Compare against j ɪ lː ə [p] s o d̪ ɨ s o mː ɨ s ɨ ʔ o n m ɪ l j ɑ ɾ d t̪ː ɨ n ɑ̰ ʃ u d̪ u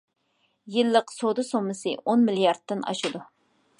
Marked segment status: incorrect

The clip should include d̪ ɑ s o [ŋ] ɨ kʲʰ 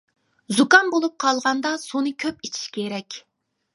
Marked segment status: incorrect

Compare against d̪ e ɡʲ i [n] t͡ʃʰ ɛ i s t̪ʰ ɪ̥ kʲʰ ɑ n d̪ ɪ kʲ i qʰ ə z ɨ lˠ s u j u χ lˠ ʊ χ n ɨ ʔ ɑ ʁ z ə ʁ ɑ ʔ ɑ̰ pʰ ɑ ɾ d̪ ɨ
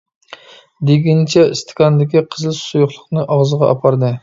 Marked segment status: correct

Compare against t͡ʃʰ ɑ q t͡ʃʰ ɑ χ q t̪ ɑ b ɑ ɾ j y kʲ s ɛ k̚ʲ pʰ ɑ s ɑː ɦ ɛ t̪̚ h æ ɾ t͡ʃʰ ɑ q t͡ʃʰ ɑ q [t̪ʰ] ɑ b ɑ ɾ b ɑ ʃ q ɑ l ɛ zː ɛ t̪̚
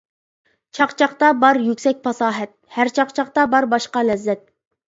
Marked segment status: incorrect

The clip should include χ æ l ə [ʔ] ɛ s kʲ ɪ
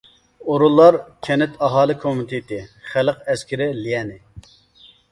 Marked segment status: incorrect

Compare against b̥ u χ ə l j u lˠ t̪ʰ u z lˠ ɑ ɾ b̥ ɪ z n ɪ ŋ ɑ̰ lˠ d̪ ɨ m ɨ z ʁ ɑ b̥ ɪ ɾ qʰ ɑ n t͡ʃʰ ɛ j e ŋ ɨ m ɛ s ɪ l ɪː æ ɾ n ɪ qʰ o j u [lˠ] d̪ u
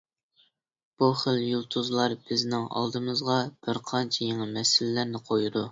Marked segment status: incorrect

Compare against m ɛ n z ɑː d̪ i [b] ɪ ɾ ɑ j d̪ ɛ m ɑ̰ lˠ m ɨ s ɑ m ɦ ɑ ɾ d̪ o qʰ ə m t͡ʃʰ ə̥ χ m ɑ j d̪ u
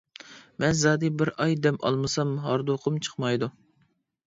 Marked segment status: correct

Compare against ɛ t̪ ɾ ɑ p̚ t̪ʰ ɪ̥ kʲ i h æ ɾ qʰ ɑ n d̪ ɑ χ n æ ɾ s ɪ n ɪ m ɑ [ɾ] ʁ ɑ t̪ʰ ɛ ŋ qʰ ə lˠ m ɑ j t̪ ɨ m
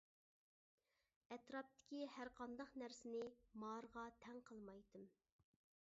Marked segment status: correct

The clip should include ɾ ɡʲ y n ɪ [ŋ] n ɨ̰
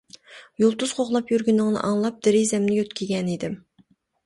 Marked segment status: correct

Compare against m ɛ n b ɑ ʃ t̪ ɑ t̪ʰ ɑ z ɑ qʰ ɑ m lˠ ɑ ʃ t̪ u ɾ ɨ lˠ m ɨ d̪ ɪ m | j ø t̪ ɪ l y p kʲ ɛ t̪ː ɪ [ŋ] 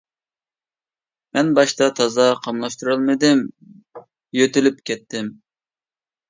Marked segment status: incorrect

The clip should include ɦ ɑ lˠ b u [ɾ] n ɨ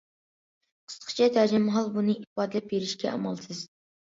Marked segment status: incorrect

